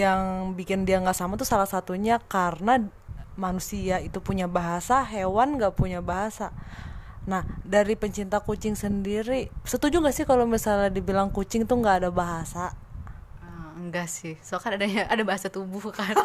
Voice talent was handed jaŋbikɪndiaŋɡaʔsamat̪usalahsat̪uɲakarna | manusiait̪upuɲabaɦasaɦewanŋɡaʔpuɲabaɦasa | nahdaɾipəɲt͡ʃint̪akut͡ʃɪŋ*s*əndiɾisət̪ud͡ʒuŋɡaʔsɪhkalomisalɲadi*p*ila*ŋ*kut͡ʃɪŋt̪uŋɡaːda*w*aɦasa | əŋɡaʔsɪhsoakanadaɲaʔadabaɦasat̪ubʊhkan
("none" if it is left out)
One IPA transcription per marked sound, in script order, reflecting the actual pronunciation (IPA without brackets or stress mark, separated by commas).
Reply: s, b, ŋ, b